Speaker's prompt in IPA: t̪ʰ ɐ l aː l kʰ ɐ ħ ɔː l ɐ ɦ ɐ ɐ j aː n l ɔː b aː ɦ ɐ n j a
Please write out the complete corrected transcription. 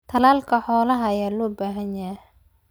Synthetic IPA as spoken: t̪ʰ ɐ l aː l kʰ ɐ ħ ɔː l ɐ ɦ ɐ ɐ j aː l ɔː b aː ɦ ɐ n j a